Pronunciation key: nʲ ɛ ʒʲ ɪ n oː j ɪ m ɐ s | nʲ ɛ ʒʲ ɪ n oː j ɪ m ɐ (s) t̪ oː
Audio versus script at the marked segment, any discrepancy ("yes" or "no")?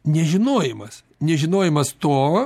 no